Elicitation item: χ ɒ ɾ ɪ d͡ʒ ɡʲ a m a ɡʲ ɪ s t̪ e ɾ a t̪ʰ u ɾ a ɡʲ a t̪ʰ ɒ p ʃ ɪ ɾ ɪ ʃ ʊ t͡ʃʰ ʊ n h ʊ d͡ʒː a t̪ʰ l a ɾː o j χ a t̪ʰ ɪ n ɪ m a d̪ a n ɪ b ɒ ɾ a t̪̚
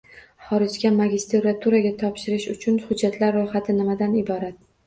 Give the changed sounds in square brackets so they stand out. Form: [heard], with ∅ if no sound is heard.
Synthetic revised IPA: χ ɒ ɾ ɪ d͡ʒ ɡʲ a m a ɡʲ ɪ s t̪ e ɾ a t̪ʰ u ɾ a ɡʲ a t̪ʰ ɒ p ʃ ɪ ɾ ɪ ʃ ʊ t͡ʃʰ ʊ n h ʊ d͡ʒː a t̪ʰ l a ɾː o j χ a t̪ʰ ɪ n ɪ m a d̪ a n ɪ b ɒ ɾ a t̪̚